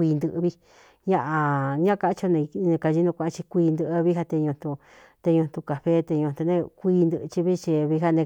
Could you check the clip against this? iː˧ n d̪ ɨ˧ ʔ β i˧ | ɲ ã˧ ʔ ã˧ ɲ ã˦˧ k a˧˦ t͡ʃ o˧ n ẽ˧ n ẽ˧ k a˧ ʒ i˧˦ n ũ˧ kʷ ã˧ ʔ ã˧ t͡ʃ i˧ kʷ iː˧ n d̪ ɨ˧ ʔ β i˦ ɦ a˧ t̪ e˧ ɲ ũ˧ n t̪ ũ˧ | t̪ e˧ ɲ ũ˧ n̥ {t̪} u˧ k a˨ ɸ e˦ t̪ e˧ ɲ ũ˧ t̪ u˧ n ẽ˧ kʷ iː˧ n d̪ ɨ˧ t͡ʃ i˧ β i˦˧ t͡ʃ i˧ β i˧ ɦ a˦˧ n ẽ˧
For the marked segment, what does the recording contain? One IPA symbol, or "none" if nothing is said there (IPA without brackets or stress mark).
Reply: t̪